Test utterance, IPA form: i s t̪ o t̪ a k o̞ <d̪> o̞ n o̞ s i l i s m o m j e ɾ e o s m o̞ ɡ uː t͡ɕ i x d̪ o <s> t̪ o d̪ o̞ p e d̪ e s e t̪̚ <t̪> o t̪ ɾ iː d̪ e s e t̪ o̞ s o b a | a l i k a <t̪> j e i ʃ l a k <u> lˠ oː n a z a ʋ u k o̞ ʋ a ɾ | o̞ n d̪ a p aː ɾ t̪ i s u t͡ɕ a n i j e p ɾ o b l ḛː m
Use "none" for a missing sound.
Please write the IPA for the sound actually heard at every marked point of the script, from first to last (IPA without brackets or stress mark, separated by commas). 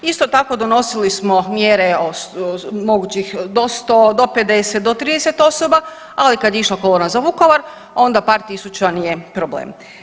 d̪, s, d̪, d̪, o